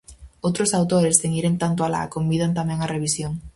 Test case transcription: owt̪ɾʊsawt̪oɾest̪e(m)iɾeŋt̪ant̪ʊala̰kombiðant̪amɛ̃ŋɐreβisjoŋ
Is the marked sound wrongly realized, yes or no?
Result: yes